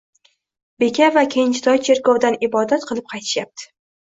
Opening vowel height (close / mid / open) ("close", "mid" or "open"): mid